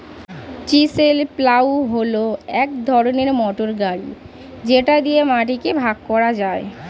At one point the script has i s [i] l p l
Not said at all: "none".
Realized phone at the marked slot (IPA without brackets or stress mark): e